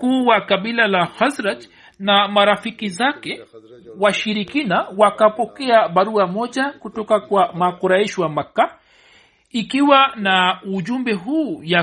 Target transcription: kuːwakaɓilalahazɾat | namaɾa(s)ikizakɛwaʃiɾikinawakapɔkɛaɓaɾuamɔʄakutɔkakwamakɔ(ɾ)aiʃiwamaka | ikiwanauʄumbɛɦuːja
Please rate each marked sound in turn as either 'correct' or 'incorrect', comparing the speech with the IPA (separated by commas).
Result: incorrect, correct